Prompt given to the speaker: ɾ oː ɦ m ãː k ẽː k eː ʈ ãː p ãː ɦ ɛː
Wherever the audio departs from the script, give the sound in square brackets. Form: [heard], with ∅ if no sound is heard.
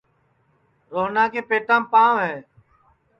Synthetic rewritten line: ɾ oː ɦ [n] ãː k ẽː [p] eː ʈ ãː p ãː ɦ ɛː